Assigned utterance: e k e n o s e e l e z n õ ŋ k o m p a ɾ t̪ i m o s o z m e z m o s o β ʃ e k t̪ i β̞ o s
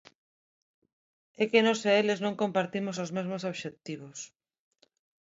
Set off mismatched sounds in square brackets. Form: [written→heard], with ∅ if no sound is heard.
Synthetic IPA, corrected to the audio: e k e n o s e e l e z n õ ŋ k o m p a ɾ t̪ i m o s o z m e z m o s o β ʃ e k t̪ i β̞ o s